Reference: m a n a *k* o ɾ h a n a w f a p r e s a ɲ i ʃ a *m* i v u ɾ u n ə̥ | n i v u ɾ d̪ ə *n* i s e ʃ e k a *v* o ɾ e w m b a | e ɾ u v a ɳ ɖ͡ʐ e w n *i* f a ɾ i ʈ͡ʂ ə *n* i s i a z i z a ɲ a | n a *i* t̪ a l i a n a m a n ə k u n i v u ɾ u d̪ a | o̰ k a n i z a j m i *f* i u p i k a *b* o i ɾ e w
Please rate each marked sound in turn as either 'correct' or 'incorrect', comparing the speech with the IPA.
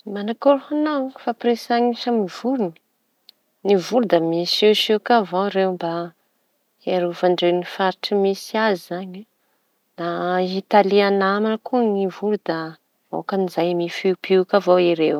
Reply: correct, correct, incorrect, correct, correct, incorrect, correct, correct, incorrect

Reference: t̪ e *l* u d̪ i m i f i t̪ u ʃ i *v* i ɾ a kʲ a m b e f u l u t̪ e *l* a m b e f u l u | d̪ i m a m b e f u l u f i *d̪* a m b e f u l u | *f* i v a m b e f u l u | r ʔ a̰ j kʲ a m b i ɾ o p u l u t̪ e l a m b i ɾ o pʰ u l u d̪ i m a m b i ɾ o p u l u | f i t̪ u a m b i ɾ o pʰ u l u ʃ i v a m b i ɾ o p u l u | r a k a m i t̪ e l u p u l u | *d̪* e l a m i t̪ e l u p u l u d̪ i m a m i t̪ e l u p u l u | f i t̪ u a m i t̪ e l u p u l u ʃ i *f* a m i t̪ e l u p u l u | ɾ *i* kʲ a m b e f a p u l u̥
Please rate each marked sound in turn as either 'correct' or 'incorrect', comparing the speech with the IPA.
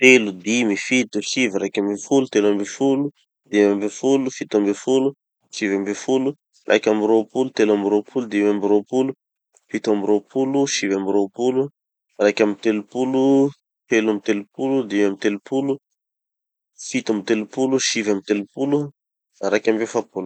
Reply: correct, correct, correct, incorrect, incorrect, incorrect, incorrect, incorrect

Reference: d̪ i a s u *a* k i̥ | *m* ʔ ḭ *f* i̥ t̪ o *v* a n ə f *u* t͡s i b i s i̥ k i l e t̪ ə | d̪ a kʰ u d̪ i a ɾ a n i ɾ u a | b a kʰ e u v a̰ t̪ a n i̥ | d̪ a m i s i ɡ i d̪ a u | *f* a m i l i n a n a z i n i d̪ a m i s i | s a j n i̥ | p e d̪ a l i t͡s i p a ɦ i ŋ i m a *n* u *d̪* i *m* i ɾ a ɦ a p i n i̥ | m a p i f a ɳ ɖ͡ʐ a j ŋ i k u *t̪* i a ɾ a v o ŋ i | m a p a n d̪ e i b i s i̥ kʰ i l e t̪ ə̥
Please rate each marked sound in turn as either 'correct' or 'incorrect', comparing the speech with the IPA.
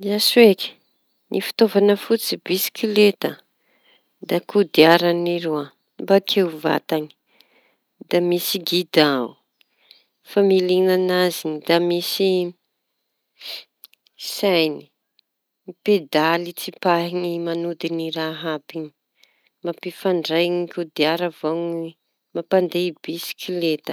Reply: incorrect, incorrect, correct, correct, correct, correct, correct, correct, incorrect, incorrect

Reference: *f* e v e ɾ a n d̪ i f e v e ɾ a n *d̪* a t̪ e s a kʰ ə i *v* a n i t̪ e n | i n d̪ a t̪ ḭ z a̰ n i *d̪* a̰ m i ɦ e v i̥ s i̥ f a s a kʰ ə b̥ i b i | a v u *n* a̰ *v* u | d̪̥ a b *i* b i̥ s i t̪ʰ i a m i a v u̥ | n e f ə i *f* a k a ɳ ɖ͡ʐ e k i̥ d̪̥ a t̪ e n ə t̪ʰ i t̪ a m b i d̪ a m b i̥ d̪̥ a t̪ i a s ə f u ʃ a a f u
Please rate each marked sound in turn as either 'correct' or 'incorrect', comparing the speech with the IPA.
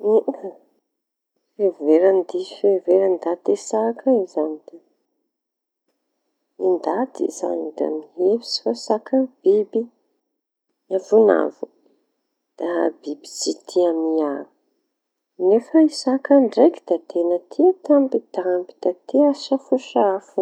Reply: correct, correct, incorrect, correct, correct, correct, correct, incorrect

